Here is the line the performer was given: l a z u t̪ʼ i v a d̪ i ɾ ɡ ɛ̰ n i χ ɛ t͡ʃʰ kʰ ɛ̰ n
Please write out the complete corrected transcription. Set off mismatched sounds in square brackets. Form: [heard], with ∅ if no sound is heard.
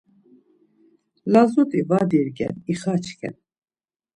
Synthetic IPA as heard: l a z u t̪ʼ i v a d̪ i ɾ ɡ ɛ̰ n i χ [a] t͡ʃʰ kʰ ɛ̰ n